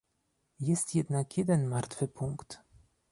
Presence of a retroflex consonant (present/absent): absent